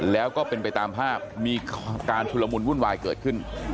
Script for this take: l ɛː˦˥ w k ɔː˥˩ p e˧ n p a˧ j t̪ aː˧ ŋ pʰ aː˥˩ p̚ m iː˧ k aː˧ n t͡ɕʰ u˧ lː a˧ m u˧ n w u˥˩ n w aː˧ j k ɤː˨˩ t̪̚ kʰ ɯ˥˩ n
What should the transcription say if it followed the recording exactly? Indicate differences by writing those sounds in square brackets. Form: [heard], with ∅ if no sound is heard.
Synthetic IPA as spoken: l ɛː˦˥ w k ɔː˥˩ p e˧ n p a˧ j t̪ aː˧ [m] pʰ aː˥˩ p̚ m iː˧ k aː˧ n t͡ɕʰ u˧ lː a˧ m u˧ n w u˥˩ n w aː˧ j k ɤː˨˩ t̪̚ kʰ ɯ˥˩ n